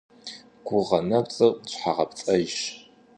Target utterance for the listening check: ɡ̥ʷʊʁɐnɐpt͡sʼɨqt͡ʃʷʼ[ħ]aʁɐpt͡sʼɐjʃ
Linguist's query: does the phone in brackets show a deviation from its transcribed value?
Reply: no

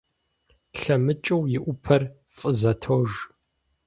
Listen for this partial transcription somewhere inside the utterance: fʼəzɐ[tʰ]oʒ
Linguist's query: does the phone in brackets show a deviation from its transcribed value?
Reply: no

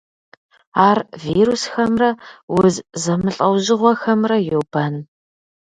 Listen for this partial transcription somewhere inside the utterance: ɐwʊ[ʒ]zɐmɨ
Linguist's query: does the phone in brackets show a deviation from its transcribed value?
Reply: yes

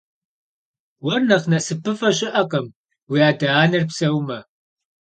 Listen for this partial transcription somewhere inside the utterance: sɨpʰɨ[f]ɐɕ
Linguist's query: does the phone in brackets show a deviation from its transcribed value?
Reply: no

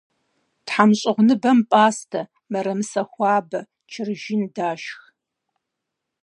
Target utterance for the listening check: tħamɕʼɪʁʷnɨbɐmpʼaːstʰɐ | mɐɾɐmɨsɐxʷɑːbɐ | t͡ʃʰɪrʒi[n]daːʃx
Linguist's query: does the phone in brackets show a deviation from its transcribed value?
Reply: no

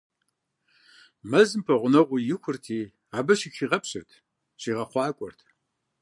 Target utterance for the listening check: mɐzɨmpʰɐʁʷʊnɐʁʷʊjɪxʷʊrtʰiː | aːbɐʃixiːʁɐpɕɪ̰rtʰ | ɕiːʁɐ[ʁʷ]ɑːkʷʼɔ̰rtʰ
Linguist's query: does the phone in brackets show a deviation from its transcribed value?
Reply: yes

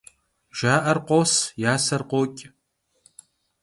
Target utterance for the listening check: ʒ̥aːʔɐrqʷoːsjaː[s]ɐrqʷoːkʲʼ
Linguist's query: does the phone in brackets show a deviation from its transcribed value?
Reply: no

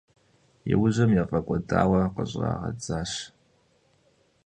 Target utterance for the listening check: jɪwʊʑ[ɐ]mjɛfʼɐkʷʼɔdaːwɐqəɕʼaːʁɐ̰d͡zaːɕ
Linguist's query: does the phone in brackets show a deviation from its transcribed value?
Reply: no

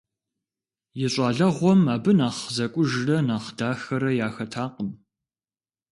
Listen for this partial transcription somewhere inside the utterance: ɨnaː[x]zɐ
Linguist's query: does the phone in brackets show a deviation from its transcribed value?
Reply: yes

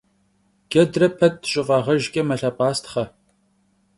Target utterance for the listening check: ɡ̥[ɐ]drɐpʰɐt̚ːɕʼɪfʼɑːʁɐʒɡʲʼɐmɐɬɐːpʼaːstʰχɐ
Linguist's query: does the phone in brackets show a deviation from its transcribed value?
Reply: no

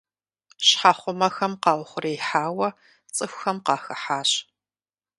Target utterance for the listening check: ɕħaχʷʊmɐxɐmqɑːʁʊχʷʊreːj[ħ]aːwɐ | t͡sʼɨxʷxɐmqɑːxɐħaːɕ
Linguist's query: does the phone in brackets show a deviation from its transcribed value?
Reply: no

